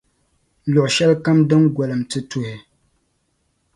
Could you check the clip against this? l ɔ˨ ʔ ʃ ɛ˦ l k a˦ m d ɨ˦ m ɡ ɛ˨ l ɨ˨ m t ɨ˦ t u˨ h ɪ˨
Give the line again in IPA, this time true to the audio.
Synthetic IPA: l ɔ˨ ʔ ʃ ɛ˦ l k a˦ m d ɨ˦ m ɡ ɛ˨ l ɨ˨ m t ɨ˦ t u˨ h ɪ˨

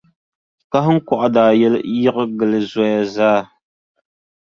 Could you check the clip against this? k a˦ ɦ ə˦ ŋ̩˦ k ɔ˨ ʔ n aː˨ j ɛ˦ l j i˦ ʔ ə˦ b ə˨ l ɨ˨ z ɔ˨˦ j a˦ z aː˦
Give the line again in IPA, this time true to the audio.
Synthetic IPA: k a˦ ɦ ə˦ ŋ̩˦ k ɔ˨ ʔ d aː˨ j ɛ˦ l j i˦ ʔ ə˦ ɡ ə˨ l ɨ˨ z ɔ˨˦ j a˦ z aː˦

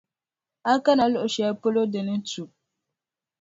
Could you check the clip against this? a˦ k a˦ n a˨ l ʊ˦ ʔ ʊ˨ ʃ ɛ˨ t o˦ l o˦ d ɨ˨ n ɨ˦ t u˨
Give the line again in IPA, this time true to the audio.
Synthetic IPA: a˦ k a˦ n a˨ l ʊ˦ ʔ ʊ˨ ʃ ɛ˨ p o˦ l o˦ d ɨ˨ n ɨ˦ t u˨

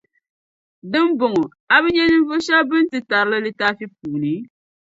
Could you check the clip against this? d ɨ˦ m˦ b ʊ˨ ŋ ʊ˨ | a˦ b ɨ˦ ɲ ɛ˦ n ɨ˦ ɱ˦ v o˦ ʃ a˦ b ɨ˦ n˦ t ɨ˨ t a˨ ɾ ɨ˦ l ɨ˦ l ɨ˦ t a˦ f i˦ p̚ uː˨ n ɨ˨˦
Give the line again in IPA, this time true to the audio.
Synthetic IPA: d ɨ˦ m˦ b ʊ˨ ŋ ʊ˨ | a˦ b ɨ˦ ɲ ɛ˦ n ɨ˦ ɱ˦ v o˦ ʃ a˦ b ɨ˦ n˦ t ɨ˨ t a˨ ɾ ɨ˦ l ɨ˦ l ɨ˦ t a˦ f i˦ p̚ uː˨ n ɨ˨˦

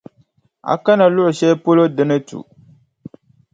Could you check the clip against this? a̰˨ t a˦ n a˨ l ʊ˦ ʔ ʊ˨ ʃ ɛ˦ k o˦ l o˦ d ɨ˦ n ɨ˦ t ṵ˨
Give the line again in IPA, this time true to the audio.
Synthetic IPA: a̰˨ k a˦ n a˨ l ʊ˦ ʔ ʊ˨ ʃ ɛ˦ p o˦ l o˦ d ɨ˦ n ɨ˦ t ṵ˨

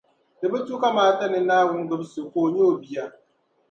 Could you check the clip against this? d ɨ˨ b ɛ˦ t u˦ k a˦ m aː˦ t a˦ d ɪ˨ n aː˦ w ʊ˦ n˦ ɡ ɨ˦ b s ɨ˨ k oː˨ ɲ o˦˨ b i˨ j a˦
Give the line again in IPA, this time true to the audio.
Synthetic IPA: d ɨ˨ b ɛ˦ t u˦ k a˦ m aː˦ t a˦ n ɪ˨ n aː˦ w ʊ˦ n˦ ɡ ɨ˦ b s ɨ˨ k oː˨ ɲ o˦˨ b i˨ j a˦

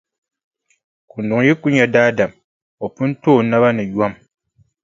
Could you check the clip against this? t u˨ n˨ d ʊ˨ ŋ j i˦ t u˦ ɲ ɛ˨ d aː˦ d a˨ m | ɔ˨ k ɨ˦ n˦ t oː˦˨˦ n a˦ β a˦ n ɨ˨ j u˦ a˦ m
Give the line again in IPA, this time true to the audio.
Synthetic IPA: k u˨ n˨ d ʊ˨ ŋ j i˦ k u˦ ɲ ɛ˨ d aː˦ d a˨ m | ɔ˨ p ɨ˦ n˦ t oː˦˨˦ n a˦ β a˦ n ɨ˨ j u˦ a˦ m

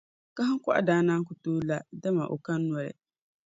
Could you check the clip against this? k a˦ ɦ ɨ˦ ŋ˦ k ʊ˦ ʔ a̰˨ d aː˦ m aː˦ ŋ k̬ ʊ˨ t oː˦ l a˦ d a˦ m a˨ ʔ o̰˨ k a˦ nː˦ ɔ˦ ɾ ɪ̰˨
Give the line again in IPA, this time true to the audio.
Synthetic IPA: k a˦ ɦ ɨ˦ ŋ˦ k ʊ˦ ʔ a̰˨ d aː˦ n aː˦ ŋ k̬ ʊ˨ t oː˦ l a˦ d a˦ m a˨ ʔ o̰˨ k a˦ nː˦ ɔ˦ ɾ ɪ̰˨

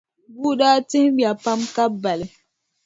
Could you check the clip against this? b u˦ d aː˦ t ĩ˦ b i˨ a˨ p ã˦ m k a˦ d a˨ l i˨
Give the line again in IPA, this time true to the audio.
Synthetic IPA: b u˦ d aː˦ t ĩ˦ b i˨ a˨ p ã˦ m k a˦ b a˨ l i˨

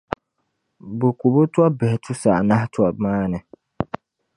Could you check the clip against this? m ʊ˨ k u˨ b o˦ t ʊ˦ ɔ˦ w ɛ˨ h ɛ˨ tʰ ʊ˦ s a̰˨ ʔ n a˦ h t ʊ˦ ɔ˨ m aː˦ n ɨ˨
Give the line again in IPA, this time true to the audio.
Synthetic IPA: b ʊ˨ k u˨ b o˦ t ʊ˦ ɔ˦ b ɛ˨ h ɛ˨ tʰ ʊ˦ s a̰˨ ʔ n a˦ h t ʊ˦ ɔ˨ m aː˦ n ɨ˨

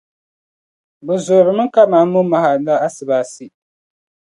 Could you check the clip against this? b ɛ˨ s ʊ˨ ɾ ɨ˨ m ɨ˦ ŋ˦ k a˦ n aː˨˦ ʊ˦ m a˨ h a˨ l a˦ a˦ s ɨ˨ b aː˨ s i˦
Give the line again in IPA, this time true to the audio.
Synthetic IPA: b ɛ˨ z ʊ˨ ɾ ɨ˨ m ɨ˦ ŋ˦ k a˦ m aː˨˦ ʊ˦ m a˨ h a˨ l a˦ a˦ s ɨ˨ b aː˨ s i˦

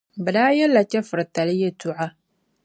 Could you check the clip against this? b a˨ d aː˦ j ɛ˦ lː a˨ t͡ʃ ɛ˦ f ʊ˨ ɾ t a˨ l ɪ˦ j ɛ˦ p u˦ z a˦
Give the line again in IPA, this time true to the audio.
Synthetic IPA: b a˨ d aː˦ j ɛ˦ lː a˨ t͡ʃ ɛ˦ f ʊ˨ ɾ t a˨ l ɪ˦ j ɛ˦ t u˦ ʕ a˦

